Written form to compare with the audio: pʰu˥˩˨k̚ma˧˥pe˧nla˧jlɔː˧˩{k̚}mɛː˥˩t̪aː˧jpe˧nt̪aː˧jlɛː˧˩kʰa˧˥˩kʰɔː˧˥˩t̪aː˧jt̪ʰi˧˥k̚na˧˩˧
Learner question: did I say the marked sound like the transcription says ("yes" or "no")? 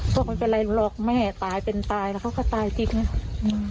yes